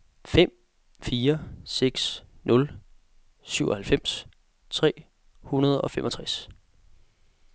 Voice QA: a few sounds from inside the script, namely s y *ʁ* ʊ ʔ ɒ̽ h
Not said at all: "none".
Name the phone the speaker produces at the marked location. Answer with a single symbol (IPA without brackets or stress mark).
none